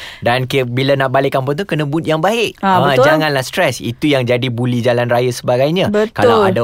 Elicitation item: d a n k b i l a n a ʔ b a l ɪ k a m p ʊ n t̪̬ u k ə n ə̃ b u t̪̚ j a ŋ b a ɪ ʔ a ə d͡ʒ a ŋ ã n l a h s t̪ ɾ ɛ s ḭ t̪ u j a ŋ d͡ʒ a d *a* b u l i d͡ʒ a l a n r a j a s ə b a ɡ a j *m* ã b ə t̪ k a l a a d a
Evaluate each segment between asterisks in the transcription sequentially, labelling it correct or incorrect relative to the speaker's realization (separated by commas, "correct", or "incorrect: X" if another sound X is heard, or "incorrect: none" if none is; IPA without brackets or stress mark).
incorrect: i, incorrect: ɲ